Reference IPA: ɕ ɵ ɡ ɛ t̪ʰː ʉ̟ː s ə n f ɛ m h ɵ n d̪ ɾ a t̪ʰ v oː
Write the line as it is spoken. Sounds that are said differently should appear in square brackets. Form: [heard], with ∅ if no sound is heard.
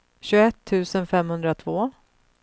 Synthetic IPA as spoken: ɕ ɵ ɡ ɛ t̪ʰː ʉ̟ː s ə n f ɛ m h ɵ n d̪ ɾ a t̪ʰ v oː